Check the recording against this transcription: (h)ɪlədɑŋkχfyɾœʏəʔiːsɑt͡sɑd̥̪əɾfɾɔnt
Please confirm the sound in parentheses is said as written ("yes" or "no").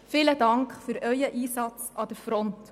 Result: no